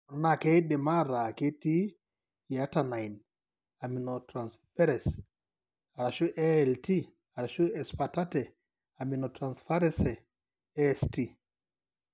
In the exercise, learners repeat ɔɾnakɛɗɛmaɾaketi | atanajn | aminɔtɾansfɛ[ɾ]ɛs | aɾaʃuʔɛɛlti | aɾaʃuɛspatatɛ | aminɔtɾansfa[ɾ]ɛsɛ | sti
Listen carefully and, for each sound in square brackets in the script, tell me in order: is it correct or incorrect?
correct, correct

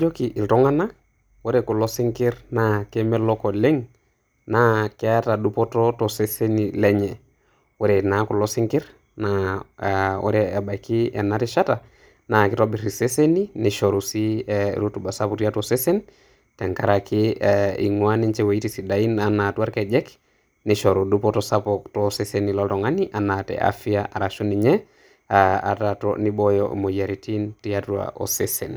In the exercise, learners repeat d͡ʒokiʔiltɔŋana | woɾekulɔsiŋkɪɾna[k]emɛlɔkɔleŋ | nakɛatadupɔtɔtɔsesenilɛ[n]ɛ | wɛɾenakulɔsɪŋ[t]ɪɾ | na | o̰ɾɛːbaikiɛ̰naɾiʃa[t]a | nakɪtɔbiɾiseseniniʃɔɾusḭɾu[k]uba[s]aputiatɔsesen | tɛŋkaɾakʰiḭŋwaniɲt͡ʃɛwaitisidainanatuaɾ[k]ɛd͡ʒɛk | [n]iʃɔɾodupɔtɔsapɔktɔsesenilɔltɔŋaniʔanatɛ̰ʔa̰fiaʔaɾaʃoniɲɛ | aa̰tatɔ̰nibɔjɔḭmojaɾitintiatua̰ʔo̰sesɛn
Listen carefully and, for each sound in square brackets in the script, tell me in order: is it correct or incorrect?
correct, incorrect, incorrect, correct, incorrect, correct, correct, correct

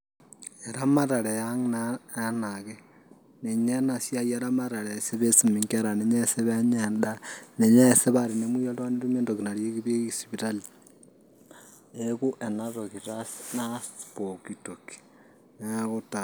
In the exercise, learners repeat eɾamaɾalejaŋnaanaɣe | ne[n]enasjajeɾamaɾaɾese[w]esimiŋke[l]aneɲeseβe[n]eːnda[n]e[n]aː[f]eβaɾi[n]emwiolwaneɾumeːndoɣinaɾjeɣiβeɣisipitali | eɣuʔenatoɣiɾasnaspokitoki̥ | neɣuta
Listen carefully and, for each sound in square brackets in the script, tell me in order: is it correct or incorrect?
incorrect, incorrect, incorrect, incorrect, correct, incorrect, incorrect, correct

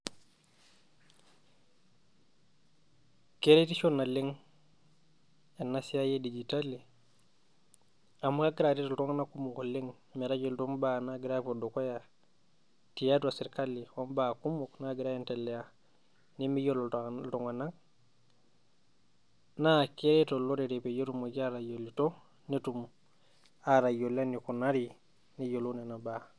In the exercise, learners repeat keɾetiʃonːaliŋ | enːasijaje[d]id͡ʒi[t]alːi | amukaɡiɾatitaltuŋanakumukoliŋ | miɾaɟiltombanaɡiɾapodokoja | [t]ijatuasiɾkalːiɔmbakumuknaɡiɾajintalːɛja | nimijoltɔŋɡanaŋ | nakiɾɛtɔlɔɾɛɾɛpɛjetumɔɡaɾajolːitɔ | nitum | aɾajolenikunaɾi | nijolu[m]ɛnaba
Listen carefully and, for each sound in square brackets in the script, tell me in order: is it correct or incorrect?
correct, correct, correct, incorrect

